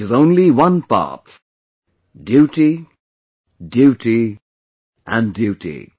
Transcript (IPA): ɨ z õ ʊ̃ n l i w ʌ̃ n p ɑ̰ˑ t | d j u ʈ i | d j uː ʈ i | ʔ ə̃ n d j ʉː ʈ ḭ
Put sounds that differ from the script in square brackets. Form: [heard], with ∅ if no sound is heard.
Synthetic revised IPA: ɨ z õ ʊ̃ n l i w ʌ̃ n p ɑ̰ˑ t | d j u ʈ i | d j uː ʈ i | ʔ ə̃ n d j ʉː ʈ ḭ